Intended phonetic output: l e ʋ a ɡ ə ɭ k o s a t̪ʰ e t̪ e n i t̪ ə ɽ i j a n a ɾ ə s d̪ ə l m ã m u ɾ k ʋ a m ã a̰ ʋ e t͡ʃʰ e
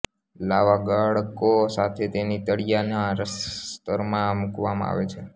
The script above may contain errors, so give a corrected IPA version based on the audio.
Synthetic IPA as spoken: l a ʋ a ɡ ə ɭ k o s a t̪ʰ e t̪ e n i t̪ ə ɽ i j a n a ɾ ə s t̪ ə ɾ m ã m u k ʋ a m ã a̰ ʋ e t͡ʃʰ e